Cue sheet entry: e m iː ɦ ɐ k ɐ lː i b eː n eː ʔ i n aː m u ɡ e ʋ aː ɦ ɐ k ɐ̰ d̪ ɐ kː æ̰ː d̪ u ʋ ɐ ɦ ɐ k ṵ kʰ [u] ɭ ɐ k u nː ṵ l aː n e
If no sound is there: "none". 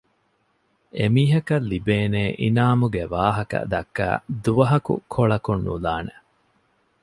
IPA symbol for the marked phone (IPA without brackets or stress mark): o